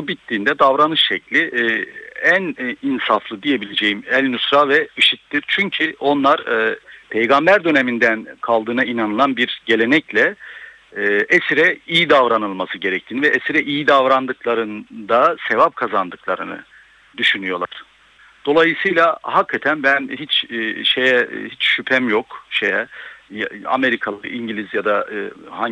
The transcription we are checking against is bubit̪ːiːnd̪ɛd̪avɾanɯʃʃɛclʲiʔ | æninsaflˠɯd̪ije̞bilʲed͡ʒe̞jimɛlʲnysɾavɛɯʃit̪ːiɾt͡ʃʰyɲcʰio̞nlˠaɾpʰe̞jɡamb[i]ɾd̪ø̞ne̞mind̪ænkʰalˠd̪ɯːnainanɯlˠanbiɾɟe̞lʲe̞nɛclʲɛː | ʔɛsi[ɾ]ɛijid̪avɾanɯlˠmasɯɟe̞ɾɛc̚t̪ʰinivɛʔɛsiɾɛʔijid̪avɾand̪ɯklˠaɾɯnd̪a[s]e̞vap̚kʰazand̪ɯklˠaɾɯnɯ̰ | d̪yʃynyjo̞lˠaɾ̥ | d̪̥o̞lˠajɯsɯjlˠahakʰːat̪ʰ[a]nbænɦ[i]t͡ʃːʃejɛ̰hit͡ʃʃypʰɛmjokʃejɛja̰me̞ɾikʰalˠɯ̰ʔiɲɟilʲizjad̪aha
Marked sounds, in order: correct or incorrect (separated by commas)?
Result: incorrect, correct, correct, incorrect, correct